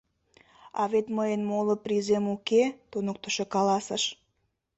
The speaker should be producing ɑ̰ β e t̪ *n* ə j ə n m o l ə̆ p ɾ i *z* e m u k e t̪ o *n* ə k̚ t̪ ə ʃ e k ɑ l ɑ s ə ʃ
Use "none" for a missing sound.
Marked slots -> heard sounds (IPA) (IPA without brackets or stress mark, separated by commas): m, z, n